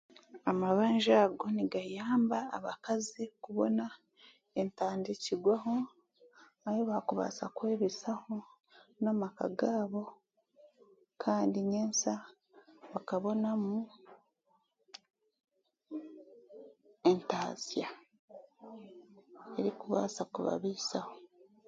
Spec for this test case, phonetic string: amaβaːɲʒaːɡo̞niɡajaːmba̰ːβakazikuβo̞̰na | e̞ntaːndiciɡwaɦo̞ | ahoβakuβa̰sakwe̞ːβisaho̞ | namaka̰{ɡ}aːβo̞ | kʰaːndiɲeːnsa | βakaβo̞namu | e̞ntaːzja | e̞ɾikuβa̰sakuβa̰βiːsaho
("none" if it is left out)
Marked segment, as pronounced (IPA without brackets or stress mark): ɡ